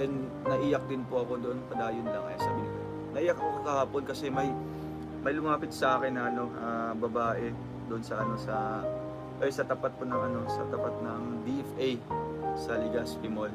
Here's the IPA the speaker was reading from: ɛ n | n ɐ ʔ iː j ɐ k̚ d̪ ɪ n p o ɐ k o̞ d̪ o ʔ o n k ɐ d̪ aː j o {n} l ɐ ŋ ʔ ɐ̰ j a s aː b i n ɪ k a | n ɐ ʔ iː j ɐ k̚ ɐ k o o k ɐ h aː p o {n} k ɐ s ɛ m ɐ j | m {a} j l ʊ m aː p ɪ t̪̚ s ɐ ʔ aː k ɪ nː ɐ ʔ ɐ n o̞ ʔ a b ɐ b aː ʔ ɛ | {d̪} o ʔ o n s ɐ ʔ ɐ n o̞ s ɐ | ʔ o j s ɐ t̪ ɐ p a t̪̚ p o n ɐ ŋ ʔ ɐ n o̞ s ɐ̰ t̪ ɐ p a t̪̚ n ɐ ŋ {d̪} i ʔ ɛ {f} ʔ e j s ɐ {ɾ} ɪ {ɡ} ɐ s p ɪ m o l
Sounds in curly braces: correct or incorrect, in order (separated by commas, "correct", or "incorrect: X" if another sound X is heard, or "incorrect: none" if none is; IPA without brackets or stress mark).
correct, correct, incorrect: ɐ, correct, correct, correct, incorrect: l, correct